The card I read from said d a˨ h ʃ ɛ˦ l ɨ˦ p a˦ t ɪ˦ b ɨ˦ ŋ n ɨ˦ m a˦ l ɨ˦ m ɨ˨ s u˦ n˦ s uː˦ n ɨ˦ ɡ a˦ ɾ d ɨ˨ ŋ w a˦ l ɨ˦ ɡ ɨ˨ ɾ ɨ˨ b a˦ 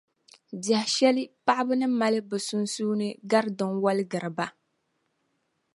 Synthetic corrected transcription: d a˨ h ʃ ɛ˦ l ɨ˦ p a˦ ʔ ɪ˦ b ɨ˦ n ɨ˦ m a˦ l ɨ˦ b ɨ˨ s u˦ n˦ s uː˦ n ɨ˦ ɡ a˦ ɾ d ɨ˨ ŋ w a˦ l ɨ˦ ɡ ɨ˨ ɾ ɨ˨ b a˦